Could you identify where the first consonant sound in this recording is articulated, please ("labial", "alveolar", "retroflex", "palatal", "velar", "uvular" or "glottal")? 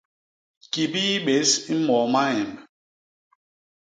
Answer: velar